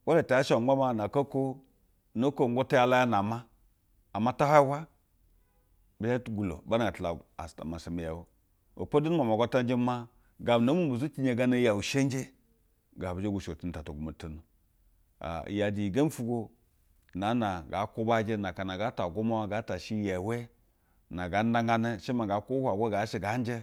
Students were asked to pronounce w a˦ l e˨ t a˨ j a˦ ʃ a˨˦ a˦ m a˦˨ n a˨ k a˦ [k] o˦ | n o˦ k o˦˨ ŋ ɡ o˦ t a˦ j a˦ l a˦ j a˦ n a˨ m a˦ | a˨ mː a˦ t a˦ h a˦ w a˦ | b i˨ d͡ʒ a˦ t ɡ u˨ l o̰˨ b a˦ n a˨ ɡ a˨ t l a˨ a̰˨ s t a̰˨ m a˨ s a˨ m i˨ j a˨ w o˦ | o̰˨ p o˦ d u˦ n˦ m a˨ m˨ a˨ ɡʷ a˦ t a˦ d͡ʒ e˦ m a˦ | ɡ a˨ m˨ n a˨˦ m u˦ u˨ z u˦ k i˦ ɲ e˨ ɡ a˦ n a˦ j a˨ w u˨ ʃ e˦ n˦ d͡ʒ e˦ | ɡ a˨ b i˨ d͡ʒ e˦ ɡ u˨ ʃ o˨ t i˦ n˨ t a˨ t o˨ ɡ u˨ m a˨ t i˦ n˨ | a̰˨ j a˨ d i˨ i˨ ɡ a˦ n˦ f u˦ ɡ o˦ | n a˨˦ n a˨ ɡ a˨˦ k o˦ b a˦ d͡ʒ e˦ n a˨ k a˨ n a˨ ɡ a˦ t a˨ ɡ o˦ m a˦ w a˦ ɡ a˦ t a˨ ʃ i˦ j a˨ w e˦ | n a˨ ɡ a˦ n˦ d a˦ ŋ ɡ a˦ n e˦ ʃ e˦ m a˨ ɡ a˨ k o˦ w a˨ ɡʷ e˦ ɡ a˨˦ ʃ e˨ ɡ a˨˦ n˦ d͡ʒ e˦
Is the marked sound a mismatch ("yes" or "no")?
no